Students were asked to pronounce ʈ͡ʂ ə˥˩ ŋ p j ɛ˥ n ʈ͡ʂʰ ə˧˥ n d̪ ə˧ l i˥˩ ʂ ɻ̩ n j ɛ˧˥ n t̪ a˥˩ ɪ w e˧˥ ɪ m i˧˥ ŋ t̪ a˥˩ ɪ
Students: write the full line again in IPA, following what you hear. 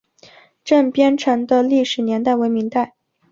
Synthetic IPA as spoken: ʈ͡ʂ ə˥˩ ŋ p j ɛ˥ n ʈ͡ʂʰ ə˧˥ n d̪ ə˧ l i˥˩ ʂ ɻ̩ n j ɛ˧˥ n t̪ a˥˩ ɪ w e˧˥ ɪ m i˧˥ ŋ t̪ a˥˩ ɪ